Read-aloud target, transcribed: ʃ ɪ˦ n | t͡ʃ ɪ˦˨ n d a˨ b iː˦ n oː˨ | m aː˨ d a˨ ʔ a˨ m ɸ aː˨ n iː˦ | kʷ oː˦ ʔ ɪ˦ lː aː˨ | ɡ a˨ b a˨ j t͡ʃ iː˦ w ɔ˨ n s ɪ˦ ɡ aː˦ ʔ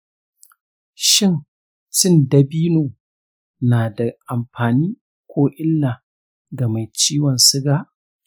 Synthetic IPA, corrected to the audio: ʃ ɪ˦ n | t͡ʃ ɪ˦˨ n d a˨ b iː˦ n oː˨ | n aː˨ d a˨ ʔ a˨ m ɸ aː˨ n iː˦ | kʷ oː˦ ʔ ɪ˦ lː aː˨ | ɡ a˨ m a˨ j t͡ʃ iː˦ w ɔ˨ n s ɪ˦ ɡ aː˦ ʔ